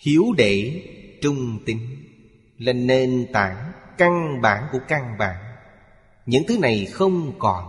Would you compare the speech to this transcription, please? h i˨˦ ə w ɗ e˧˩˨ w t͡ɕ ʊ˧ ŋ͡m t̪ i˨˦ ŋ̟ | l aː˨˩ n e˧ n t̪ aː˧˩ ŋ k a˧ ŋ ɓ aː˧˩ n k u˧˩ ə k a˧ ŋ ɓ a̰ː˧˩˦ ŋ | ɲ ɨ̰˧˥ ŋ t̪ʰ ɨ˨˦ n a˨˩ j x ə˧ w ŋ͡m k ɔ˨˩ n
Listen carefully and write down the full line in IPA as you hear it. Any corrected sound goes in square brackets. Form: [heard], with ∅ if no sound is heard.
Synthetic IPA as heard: h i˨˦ ə w ɗ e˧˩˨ [∅] t͡ɕ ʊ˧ ŋ͡m t̪ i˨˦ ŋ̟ | l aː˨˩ n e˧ n t̪ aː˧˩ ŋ k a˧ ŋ ɓ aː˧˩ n k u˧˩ ə k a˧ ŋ ɓ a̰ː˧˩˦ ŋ | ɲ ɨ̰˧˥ ŋ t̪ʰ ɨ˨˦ n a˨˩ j x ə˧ w ŋ͡m k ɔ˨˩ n